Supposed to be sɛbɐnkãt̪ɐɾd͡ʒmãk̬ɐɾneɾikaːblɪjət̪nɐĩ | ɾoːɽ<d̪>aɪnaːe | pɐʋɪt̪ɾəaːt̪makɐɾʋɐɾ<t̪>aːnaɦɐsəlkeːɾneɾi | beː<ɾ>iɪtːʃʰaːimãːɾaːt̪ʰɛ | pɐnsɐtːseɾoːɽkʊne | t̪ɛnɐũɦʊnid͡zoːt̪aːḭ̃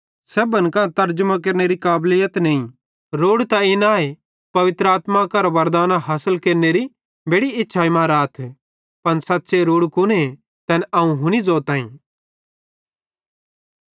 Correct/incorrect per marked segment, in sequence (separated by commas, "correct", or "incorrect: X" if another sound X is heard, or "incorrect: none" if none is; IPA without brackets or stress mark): incorrect: t̪, incorrect: d̪, incorrect: ɽ